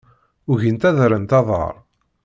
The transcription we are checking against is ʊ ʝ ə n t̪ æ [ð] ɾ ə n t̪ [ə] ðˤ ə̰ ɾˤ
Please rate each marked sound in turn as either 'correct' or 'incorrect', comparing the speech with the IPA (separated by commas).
correct, incorrect